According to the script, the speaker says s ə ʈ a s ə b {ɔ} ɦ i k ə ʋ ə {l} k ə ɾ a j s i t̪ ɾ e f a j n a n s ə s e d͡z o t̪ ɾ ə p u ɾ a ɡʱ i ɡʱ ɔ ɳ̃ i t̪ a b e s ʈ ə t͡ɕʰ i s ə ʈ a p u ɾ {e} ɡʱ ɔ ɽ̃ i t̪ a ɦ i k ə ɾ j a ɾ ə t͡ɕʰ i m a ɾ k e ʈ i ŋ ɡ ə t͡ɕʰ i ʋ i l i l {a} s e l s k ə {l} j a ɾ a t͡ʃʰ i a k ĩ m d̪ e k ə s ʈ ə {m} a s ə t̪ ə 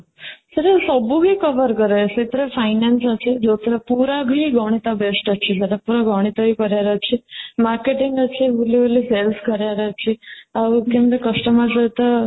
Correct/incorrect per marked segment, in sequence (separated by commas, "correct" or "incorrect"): incorrect, incorrect, incorrect, incorrect, incorrect, correct